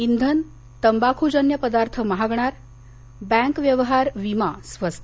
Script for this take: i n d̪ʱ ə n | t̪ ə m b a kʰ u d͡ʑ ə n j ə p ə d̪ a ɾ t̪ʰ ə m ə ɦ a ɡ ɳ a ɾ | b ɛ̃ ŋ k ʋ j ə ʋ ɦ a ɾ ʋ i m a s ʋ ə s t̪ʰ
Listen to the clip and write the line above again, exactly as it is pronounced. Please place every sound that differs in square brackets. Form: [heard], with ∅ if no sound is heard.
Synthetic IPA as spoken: i n d̪ʱ ə n | t̪ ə m b a kʰ u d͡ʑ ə n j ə p ə d̪ a ɾ t̪ʰ ə m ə ɦ a ɡ ɳ a ɾ | b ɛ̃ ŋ k ʋ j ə ʋ ɦ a ɾ ʋ i m a s ʋ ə s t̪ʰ